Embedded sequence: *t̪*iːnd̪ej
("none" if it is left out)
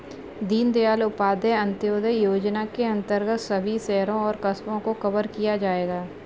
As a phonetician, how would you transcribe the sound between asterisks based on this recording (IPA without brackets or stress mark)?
d̪